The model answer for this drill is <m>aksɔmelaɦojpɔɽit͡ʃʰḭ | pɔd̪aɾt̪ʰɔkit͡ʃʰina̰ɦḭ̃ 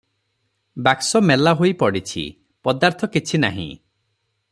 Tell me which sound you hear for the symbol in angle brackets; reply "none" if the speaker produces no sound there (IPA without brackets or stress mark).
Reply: b